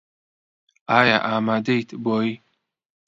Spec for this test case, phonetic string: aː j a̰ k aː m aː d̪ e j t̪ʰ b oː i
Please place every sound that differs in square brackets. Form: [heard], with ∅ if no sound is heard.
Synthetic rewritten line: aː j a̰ [ʔ] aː m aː d̪ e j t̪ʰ b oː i